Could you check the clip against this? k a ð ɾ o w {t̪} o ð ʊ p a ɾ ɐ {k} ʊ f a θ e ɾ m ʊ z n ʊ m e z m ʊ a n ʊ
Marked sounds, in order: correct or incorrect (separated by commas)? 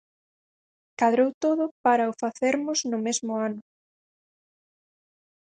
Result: correct, incorrect